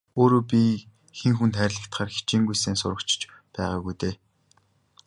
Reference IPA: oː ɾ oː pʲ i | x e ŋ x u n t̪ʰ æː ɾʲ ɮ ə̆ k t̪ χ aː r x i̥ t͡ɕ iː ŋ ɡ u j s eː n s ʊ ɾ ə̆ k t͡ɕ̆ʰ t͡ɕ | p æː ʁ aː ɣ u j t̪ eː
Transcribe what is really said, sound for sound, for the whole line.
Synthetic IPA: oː ɾ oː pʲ i | x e ŋ x u n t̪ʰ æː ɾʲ ɮ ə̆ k t̪ χ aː r x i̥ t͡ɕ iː ŋ ɡ u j s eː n s ʊ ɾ ə̆ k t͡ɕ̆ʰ t͡ɕ | p æː ʁ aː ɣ u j t̪ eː